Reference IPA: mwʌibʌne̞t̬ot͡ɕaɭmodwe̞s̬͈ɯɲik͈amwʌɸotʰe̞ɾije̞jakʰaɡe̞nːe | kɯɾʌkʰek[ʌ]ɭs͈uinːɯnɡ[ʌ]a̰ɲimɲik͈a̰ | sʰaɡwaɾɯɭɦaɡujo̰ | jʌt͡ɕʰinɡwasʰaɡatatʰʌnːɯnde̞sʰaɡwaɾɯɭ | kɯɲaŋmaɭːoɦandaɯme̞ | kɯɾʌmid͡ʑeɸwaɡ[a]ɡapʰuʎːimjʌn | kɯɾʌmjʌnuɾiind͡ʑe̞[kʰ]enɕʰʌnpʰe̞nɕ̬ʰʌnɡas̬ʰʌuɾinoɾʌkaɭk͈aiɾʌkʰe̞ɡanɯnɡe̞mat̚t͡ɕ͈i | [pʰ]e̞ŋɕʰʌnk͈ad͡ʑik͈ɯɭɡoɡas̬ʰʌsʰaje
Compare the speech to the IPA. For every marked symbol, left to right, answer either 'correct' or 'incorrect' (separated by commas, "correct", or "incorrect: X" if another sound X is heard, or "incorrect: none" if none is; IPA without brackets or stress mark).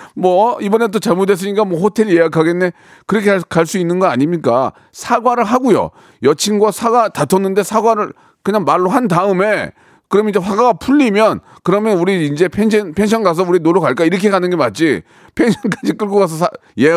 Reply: incorrect: a, correct, correct, incorrect: pʰ, correct